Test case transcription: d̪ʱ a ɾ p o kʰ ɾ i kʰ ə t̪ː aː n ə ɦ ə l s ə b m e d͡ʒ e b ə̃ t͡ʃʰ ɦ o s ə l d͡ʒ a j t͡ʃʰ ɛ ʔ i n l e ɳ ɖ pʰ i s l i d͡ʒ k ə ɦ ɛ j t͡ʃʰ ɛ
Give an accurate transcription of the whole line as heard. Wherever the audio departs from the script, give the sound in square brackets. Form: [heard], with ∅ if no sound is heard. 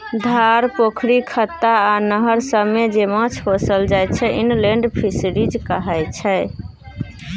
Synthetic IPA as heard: d̪ʱ a ɾ p o kʰ ɾ i kʰ ə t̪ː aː n ə ɦ ə [ɾ] s ə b m e d͡ʒ e [m] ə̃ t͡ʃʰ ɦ o s ə l d͡ʒ a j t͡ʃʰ ɛ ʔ i n l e ɳ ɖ pʰ i s [ɾ] i d͡ʒ k ə ɦ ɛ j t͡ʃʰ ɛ